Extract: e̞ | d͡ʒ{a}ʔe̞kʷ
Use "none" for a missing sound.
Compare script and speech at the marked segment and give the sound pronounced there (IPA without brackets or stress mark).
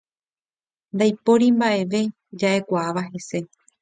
a